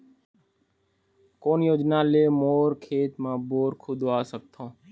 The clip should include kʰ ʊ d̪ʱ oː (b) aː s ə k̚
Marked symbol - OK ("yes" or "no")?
no